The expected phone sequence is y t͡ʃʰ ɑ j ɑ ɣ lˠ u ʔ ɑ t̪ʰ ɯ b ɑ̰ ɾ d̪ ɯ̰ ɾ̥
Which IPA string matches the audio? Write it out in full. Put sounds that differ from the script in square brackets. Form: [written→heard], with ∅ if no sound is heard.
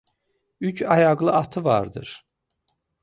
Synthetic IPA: y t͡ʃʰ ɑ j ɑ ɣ lˠ [u→ɯ] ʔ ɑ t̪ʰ ɯ [b→v] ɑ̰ ɾ d̪ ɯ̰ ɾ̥